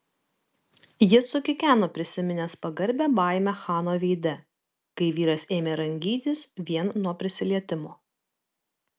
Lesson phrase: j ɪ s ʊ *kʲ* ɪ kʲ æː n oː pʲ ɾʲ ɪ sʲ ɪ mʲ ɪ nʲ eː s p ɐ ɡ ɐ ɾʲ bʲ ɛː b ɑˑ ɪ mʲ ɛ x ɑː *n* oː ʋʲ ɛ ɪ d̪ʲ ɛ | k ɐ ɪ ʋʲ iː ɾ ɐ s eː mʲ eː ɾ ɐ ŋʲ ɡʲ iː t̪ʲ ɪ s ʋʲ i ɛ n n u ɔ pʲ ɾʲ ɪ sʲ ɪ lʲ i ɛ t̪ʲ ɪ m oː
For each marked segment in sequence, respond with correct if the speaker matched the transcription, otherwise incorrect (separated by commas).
correct, correct